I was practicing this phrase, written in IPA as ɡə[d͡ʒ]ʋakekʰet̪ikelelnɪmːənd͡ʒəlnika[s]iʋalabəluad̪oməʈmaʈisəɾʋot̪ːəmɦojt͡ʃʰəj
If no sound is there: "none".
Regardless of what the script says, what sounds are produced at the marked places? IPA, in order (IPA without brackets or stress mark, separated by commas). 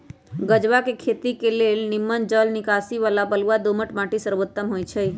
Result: d͡ʒ, s